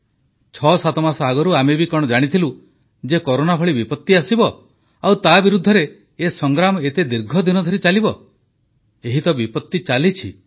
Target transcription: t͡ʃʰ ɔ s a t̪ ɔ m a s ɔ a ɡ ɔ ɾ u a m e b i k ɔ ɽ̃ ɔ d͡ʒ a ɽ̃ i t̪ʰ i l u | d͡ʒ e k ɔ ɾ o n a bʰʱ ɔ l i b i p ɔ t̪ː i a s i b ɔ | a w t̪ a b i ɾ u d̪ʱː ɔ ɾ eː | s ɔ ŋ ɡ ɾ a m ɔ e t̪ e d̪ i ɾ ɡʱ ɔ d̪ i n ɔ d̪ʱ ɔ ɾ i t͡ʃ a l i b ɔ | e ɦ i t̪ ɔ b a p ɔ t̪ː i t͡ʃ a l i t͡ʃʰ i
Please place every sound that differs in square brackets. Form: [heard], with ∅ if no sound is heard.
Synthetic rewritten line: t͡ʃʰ ɔ s a t̪ ɔ m a s ɔ a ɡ ɔ ɾ u a m e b i k ɔ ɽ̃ ɔ d͡ʒ a ɽ̃ i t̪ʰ i l u | d͡ʒ e k ɔ ɾ o n a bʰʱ ɔ [ɭ] i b i p ɔ t̪ː i a s i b ɔ | a w t̪ a b i ɾ u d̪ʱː ɔ ɾ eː | s ɔ ŋ ɡ ɾ a m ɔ e t̪ e d̪ i ɾ ɡʱ ɔ d̪ i n ɔ d̪ʱ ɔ ɾ i t͡ʃ a l i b ɔ | e ɦ i t̪ ɔ b [i] p ɔ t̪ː i t͡ʃ a l i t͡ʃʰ i